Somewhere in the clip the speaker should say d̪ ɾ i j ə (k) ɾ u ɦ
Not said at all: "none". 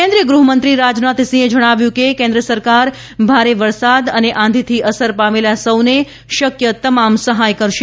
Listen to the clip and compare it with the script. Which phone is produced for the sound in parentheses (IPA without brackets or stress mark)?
ɡ